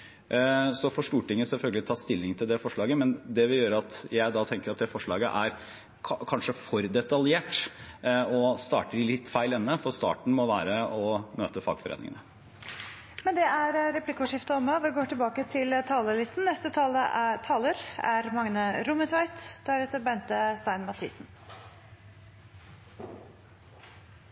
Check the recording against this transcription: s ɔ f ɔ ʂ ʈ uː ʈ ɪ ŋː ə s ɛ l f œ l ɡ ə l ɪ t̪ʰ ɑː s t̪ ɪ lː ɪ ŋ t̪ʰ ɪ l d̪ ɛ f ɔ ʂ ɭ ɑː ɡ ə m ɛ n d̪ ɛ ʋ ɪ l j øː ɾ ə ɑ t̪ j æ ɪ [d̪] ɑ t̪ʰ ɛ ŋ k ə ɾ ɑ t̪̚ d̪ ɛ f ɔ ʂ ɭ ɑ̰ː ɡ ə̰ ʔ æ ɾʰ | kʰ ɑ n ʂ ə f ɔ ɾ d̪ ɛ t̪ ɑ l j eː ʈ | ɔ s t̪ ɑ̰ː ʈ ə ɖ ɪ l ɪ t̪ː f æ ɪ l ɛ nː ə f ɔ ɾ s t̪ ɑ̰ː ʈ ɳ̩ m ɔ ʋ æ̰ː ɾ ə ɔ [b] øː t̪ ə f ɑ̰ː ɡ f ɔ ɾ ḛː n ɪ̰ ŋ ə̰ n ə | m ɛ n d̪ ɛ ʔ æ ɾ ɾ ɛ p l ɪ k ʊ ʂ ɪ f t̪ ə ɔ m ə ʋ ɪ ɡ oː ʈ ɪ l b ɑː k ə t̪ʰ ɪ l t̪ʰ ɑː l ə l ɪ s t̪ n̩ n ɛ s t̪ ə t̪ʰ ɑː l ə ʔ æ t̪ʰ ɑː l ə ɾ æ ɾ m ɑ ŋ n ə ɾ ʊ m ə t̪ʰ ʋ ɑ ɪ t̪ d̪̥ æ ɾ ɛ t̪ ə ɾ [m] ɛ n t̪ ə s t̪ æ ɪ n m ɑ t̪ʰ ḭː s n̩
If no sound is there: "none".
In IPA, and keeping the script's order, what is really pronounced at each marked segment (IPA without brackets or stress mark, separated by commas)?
d̪, m, b